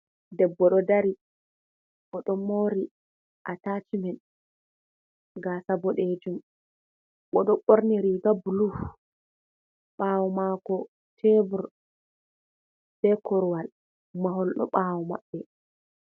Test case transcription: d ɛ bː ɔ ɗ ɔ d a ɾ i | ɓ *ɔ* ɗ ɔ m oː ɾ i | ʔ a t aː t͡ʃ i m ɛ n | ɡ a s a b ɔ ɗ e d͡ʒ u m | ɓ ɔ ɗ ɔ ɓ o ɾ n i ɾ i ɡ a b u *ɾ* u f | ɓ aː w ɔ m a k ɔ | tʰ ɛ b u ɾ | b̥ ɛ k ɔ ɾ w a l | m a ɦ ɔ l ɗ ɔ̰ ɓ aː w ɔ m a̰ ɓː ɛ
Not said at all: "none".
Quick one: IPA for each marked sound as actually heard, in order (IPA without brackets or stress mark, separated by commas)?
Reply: ɔ, l